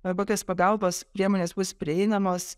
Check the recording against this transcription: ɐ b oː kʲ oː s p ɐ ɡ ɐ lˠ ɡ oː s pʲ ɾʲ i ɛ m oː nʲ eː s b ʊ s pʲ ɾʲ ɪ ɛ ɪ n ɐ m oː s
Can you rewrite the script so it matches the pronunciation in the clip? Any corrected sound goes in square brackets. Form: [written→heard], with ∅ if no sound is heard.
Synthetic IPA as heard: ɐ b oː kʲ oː s p ɐ ɡ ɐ lˠ [ɡ→b] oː s pʲ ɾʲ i ɛ m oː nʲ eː s b ʊ s pʲ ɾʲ ɪ ɛ ɪ n ɐ m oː s

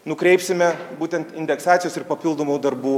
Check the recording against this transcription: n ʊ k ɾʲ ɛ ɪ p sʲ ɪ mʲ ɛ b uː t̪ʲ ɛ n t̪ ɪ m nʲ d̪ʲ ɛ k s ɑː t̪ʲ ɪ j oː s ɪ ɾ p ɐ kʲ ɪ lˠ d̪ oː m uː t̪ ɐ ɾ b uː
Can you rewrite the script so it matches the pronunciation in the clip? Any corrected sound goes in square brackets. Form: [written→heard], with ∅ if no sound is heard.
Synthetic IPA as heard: n ʊ k ɾʲ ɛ ɪ p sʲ ɪ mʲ ɛ b uː t̪ʲ ɛ n t̪ ɪ [m→∅] nʲ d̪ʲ ɛ k s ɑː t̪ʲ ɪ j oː s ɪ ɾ p ɐ [kʲ→pʲ] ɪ lˠ d̪ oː m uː [t̪→d̪] ɐ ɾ b uː

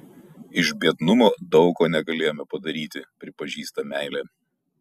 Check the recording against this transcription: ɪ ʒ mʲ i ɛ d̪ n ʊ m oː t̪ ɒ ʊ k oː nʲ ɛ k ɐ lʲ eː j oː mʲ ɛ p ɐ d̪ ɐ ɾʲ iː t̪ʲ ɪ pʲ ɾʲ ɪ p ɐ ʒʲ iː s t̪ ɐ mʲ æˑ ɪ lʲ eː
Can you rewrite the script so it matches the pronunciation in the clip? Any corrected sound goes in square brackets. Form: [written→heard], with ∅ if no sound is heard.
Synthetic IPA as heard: ɪ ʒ [mʲ→bʲ] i ɛ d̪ n ʊ m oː [t̪→d̪] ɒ ʊ k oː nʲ ɛ [k→ɡ] ɐ lʲ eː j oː mʲ ɛ p ɐ d̪ ɐ ɾʲ iː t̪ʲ ɪ pʲ ɾʲ ɪ p ɐ ʒʲ iː s t̪ ɐ mʲ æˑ ɪ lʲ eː

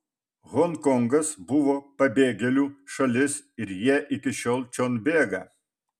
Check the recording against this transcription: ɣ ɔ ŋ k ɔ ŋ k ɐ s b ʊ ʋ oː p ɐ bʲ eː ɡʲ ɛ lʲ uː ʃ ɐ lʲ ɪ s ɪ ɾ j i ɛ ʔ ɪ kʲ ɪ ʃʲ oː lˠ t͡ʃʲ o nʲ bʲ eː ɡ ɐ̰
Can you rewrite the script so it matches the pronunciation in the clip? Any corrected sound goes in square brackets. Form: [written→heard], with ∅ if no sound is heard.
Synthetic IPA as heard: ɣ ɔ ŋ k ɔ ŋ [k→ɡ] ɐ s b ʊ ʋ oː p ɐ bʲ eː ɡʲ ɛ lʲ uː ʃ ɐ lʲ ɪ s ɪ ɾ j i ɛ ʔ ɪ kʲ ɪ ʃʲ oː lˠ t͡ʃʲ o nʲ bʲ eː ɡ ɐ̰

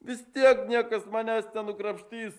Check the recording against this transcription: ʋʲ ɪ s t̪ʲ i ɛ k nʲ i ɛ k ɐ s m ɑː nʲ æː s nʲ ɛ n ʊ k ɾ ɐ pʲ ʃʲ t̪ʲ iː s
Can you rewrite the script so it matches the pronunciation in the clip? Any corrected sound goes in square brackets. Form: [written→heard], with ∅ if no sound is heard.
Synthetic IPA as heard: ʋʲ ɪ s t̪ʲ i ɛ k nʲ i ɛ k ɐ s m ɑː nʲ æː s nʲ ɛ n ʊ k ɾ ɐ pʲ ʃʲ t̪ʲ iː s

